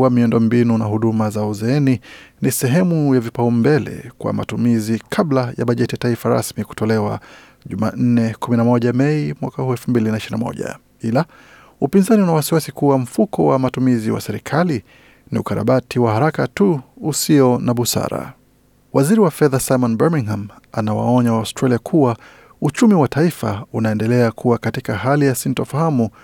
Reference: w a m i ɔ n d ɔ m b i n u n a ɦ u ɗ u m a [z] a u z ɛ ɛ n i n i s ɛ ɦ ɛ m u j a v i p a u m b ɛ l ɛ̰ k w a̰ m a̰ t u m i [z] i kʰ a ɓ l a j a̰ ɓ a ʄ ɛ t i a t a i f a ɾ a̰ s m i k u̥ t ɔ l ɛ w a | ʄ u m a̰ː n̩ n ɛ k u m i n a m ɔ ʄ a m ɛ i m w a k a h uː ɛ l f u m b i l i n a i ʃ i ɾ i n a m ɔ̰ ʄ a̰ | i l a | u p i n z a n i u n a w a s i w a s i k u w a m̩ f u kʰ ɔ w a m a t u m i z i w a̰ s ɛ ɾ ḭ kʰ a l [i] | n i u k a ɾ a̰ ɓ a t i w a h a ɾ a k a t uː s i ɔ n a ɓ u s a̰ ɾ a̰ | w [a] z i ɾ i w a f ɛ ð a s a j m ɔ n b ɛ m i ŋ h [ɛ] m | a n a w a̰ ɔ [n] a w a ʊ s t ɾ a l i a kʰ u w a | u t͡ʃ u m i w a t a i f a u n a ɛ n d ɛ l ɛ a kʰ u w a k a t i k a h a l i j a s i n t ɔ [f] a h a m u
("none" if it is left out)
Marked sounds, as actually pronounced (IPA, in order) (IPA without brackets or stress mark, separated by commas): z, z, i, a, a, ɲ, f